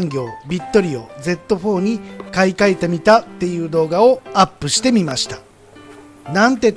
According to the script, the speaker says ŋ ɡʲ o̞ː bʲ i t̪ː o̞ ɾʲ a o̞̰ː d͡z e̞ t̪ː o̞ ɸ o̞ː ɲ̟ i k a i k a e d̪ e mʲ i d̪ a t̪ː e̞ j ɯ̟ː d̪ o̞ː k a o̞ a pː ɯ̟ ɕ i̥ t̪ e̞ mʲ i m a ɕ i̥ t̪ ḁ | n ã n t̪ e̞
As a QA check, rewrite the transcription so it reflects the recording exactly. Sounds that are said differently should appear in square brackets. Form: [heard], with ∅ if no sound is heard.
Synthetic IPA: ŋ ɡʲ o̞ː bʲ i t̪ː o̞ ɾʲ [i] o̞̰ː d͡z e̞ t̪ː o̞ ɸ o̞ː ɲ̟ i k a i k a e [t̪] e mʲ i [t̪] a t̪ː e̞ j ɯ̟ː d̪ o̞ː [ɡ] a o̞ a pː ɯ̟ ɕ i̥ t̪ e̞ mʲ i m a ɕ i̥ t̪ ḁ | n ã n t̪ e̞